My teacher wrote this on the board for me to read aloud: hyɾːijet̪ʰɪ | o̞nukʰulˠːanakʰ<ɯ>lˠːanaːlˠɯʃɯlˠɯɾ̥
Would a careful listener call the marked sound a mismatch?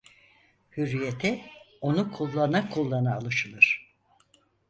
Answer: yes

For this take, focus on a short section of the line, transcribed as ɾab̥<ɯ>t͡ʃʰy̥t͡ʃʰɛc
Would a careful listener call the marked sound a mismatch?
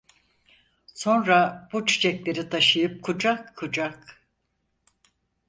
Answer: yes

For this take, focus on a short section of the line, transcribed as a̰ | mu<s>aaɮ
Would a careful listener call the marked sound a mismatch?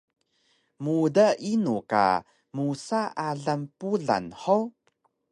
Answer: no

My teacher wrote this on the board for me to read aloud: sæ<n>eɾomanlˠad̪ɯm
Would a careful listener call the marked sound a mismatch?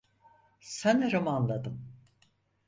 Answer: no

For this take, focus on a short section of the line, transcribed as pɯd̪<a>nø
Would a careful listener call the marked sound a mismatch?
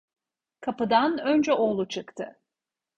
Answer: no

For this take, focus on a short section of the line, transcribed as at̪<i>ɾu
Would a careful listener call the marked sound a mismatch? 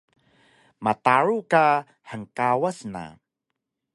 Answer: yes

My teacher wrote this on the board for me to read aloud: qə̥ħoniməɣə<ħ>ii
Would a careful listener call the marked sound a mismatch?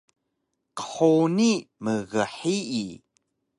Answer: no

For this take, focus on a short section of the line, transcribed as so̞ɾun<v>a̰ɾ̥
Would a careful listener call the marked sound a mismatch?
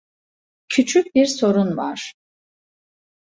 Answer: no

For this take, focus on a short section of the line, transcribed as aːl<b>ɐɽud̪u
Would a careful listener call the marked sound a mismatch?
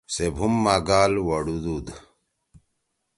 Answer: yes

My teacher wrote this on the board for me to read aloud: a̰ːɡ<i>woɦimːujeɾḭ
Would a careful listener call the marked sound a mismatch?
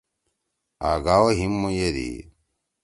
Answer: yes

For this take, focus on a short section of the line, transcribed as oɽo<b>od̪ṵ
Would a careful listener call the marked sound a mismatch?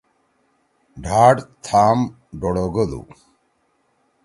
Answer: yes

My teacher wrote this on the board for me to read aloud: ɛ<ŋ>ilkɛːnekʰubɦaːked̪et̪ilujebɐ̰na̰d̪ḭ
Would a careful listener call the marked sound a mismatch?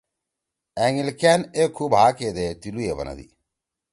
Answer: no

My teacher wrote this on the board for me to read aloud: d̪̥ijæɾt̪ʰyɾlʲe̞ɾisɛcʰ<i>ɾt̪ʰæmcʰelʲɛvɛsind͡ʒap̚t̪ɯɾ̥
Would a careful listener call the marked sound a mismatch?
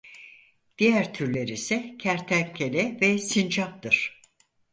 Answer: yes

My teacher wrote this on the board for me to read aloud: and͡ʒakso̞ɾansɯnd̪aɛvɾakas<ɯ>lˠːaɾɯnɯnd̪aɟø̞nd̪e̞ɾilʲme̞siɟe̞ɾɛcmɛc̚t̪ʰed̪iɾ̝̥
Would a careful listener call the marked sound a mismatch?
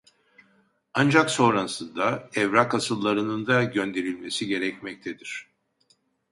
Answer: no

